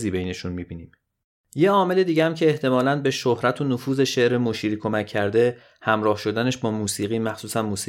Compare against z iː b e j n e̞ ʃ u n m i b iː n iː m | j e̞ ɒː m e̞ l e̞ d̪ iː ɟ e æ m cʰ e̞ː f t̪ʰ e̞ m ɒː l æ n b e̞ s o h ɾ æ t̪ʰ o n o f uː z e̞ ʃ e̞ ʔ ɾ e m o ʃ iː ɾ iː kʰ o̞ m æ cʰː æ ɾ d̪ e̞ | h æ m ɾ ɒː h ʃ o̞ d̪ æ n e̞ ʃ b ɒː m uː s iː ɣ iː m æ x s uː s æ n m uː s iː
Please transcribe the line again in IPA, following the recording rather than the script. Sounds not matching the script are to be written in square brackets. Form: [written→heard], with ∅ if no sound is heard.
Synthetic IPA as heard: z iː b e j n e̞ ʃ u n m i b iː n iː m | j e̞ ɒː m e̞ l e̞ d̪ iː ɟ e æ m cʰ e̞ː [f→h] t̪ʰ e̞ m ɒː l æ n b e̞ [s→ʃ] o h ɾ æ t̪ʰ o n o f uː z e̞ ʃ e̞ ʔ ɾ e m o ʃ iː ɾ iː kʰ o̞ m æ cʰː æ ɾ d̪ e̞ | h æ m ɾ ɒː h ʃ o̞ d̪ æ n e̞ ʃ b ɒː m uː s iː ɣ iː m æ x s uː s æ n m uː s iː